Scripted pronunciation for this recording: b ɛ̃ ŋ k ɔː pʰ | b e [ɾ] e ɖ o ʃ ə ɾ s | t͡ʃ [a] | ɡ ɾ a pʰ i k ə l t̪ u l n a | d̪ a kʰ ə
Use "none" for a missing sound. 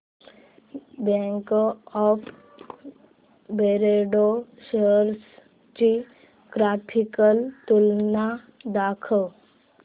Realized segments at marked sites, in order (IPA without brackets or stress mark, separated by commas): ɾ, i